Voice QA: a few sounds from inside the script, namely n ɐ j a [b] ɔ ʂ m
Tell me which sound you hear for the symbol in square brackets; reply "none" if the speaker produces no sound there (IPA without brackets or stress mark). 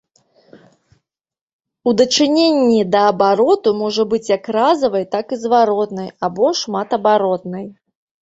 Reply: b